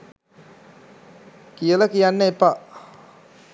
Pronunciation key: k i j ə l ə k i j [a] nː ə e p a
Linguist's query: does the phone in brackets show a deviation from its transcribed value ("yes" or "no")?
no